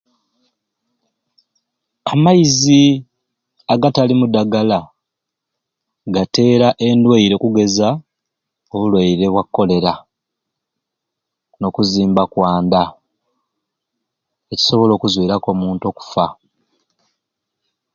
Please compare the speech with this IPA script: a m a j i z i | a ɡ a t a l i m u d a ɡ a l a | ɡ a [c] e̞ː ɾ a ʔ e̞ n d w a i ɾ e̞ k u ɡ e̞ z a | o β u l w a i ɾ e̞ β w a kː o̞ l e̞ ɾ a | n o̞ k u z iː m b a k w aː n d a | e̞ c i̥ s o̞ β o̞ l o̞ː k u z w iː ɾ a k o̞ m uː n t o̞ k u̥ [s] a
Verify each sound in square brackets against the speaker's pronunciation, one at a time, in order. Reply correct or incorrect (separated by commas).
incorrect, incorrect